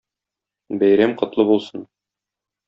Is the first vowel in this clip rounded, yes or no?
no